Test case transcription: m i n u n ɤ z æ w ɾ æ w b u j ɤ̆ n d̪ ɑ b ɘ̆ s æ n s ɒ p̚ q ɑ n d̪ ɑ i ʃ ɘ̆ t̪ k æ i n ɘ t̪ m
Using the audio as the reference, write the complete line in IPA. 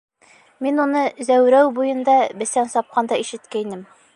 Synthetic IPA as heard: m i n u n ɤ z æ w ɾ æ w b u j ɤ̆ n d̪ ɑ b ɘ̆ s æ n s ɒ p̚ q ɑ n d̪ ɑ i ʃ ɘ̆ t̪ k æ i n ɘ m